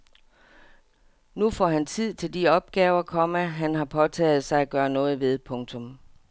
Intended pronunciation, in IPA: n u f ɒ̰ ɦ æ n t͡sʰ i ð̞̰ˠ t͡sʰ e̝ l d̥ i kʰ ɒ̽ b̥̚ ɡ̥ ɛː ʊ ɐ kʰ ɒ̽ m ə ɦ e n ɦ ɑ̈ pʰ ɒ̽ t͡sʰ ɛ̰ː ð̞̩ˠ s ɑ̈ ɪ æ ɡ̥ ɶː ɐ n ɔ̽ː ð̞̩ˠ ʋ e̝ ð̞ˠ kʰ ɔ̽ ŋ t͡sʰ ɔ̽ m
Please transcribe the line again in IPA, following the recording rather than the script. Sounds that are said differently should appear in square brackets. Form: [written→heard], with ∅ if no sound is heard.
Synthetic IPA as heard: n u f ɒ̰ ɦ æ n t͡sʰ i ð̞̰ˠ t͡sʰ e̝ l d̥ i [kʰ→∅] ɒ̽ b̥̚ ɡ̥ ɛː ʊ ɐ kʰ ɒ̽ m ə ɦ [e→æ] n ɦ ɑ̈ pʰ ɒ̽ t͡sʰ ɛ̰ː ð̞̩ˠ s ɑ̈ ɪ æ ɡ̥ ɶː ɐ n ɔ̽ː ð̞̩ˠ ʋ e̝ ð̞ˠ [kʰ→pʰ] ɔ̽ ŋ t͡sʰ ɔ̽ m